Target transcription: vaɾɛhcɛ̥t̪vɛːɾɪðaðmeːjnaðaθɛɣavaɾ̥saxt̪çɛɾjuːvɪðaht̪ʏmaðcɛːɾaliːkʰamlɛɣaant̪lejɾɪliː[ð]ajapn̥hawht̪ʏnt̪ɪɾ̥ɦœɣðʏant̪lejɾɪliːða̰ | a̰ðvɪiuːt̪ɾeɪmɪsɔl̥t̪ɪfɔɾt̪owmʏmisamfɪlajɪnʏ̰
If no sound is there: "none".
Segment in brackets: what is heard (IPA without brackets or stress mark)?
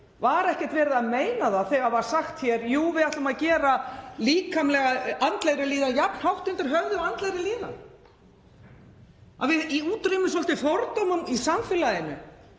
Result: ð